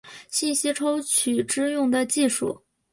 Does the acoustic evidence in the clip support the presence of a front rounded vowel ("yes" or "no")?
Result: yes